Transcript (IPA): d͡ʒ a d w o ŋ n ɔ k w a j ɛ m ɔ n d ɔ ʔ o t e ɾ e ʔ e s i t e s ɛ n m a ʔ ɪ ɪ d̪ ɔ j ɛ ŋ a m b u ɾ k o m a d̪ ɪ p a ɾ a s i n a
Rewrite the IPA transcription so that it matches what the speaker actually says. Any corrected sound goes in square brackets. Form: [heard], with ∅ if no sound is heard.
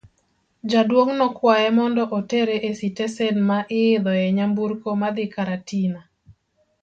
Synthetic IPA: d͡ʒ a d w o ŋ n ɔ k w a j ɛ m ɔ n d ɔ ʔ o t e ɾ e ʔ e s i t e s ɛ n m a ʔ ɪ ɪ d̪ ɔ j ɛ [ɲ] a m b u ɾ k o m a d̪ ɪ [k] a ɾ a [t] i n a